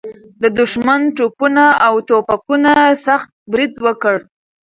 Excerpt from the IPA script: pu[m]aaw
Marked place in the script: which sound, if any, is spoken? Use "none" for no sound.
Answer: n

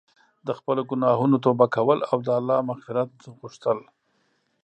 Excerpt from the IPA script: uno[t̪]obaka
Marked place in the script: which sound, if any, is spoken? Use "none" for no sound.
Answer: t̪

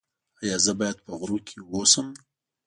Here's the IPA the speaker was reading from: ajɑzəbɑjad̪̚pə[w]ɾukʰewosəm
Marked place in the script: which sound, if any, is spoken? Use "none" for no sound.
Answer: ɣ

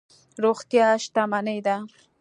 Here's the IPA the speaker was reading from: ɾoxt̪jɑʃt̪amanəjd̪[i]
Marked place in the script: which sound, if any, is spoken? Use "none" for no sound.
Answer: a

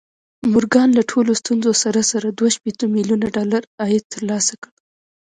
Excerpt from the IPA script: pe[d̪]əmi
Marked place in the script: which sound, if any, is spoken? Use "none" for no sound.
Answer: t̪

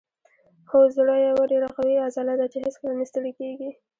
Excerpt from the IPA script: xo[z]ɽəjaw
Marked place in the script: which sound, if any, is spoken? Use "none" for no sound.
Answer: z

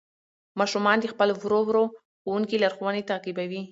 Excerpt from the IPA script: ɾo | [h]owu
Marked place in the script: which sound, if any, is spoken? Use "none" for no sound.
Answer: x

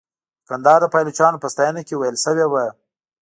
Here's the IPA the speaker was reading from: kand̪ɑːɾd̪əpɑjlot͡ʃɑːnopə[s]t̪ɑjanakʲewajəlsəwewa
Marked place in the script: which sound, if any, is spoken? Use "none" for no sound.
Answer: s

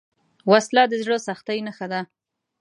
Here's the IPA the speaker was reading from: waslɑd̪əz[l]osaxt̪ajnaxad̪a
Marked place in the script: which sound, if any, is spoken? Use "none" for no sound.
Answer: ɽ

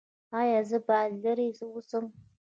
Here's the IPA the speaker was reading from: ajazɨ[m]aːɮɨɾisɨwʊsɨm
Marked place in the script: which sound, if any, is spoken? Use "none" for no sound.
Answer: b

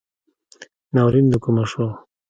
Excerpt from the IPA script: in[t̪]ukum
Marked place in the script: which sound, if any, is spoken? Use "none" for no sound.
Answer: d̪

